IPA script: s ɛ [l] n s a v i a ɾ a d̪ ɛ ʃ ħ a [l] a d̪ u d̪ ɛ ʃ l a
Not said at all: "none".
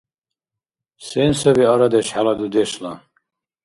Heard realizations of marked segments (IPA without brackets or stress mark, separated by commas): none, l